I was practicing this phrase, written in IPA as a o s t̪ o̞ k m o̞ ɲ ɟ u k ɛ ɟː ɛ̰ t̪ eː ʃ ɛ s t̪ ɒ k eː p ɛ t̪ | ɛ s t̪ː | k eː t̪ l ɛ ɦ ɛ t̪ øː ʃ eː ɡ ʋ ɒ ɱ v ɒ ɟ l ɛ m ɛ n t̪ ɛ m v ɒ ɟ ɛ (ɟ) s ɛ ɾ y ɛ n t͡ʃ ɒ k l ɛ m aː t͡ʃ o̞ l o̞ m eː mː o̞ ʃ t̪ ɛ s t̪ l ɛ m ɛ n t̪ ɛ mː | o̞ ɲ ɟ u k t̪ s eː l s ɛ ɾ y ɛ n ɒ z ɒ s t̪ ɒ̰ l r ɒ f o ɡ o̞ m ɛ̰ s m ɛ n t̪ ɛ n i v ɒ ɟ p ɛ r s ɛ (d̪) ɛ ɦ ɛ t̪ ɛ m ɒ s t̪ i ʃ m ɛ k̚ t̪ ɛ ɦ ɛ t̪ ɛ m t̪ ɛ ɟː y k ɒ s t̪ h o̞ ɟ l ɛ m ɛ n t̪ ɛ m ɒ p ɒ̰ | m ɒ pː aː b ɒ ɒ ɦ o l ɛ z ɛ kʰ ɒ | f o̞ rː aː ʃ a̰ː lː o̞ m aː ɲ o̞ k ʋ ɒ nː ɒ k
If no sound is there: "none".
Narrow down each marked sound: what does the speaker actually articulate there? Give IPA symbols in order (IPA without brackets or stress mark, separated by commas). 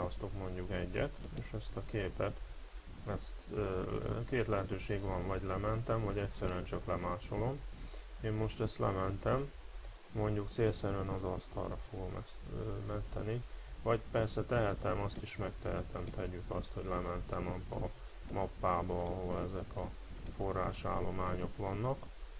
c, t̪